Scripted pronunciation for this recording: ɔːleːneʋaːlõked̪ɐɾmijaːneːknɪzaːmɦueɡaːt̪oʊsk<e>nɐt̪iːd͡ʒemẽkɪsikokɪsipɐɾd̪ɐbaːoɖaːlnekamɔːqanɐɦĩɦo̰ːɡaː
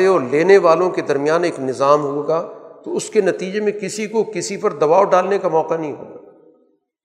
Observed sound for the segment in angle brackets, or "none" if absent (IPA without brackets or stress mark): e